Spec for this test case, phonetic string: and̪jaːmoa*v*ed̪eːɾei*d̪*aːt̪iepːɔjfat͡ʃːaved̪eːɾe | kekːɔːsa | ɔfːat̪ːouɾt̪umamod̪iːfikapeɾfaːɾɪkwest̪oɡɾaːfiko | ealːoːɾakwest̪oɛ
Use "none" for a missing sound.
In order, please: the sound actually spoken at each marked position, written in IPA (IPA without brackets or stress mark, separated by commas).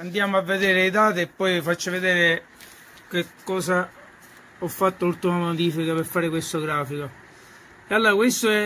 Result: vː, d̪